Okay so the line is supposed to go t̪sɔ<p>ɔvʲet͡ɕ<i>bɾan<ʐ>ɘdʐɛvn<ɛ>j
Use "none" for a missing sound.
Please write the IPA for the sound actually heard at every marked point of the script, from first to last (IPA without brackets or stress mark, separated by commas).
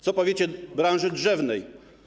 p, ɛ, ʐ, ɛ